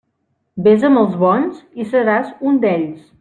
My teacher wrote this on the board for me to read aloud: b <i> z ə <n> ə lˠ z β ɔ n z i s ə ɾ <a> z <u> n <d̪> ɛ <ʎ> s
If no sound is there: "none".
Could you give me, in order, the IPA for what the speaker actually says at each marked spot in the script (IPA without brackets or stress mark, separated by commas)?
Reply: e, m, a, u, d̪, ʎ